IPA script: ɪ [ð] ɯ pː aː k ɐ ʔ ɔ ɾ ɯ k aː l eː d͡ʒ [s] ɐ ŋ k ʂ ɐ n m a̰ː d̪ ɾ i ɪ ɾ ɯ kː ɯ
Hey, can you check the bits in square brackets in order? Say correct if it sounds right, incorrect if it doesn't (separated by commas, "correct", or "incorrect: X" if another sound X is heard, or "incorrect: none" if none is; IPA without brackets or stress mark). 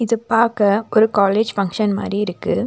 correct, incorrect: f